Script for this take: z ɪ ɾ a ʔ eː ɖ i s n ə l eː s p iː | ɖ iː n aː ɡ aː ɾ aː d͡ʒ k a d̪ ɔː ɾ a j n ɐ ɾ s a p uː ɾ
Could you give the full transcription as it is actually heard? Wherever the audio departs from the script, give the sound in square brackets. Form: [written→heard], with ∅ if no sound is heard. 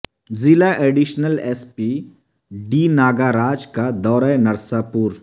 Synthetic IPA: z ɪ [ɾ→l] a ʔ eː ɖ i [s→ʃ] n ə l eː s p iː | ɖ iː n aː ɡ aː ɾ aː d͡ʒ k a d̪ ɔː ɾ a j n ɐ ɾ s a p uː ɾ